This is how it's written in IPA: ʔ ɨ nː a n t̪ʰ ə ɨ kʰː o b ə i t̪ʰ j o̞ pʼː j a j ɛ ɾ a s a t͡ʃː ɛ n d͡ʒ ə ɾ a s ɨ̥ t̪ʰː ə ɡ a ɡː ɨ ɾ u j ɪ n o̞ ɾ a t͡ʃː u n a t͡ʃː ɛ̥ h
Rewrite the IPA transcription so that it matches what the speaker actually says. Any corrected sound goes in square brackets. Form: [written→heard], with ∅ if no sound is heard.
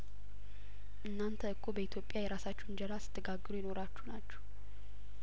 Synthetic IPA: ʔ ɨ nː a n t̪ʰ ə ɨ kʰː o b ə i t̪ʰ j o̞ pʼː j a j ɛ ɾ a s a t͡ʃː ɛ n d͡ʒ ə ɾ a s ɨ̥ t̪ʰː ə ɡ a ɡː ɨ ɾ u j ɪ n o̞ ɾ a t͡ʃː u n a t͡ʃː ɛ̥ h